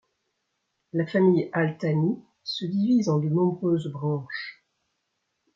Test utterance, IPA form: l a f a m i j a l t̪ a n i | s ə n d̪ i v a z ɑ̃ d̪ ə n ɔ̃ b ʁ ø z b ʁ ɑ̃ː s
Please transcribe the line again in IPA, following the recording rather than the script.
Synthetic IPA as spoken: l a f a m i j a l t̪ a n i | s ə d̪ i v i z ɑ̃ d̪ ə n ɔ̃ b ʁ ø z b ʁ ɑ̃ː ʃ

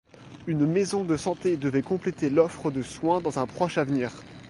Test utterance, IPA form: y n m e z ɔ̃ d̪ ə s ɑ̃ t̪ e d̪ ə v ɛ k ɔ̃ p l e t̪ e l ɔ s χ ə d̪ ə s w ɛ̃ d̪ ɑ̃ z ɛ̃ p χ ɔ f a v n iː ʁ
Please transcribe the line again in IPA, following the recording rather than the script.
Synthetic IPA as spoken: y n m e z ɔ̃ d̪ ə s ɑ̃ t̪ e d̪ ə v ɛ k ɔ̃ p l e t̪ e l ɔ f χ ə d̪ ə s w ɛ̃ d̪ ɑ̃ z ɛ̃ p χ ɔ ʃ a v n iː ʁ

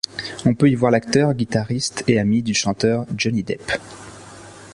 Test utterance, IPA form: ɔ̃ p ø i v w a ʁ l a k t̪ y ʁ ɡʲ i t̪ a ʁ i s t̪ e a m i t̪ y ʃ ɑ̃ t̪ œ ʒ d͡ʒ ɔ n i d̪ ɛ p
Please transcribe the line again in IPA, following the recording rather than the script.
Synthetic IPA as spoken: ɔ̃ p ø i v w a ʁ l a k t̪ œ ʁ ɡʲ i t̪ a ʁ i s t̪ e a m i d̪ y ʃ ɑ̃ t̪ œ ʁ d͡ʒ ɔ n i d̪ ɛ p

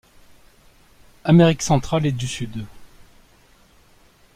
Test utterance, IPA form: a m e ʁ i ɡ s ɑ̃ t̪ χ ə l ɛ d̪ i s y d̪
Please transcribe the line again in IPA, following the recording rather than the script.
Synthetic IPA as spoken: a m e ʁ i k s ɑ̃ t̪ χ a l e d̪ y s y d̪

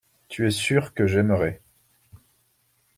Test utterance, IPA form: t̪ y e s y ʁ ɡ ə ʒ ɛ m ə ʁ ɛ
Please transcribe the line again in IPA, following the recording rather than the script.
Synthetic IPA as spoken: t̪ y ɛ s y ʁ k ə ʒ ɛ m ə ʁ ɛ

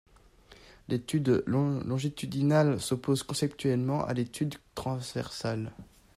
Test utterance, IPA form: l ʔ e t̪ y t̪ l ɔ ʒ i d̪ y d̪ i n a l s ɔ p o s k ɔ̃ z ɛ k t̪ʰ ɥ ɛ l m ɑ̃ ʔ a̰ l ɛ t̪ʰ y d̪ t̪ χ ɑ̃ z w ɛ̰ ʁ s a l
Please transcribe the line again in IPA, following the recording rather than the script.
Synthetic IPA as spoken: l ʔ e t̪ y d̪ l ɔ̃ ʒ i t̪ y d̪ i n a l s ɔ p o z k ɔ̃ s ɛ p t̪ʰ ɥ ɛ l m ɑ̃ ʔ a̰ l e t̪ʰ y d̪ t̪ χ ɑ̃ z v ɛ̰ ʁ s a l

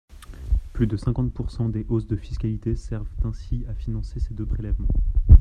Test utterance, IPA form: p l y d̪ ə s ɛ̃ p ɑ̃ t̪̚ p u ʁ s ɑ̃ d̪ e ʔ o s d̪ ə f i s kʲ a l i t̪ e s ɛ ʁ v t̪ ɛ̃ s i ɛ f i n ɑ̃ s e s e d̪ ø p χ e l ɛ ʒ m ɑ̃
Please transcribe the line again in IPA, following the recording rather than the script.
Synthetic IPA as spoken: p l y d̪ ə s ɛ̃ k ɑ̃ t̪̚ p u ʁ s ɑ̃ d̪ e ʔ o s d̪ ə f i s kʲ a l i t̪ e s ɛ ʁ v t̪ ɛ̃ s i a f i n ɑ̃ s e s e d̪ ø p χ e l ɛ v m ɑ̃

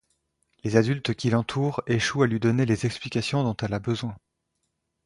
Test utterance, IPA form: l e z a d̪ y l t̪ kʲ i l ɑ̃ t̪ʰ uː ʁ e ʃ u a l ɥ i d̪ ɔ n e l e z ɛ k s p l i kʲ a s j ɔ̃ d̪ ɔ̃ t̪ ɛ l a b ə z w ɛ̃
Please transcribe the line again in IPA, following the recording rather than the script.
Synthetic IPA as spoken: l e z a d̪ y l t̪ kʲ i l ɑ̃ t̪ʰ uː ʁ e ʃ u a l ɥ i d̪ ɔ n e l e z ɛ k s p l i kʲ a s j ɔ̃ d̪ ɔ̃ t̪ ɛ l a b ə z w ɛ̃

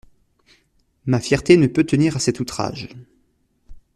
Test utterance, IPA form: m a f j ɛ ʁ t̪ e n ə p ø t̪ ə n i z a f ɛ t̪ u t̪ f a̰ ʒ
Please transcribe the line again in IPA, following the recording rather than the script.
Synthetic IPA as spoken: m a f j ɛ ʁ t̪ e n ə p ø t̪ ə n i ʁ a s ɛ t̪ u t̪ χ a̰ ʒ

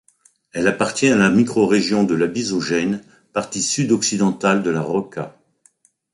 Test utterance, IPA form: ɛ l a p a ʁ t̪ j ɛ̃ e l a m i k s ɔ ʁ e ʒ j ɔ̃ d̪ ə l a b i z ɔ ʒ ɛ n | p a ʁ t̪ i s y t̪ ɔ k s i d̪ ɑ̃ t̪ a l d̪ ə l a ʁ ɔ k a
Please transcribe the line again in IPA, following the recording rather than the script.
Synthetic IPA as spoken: ɛ l a p a ʁ t̪ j ɛ̃ a l a m i k χ ɔ ʁ e ʒ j ɔ̃ d̪ ə l a b i z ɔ ʒ ɛ n | p a ʁ t̪ i s y d̪ ɔ k s i d̪ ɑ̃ t̪ a l d̪ ə l a ʁ ɔ k a

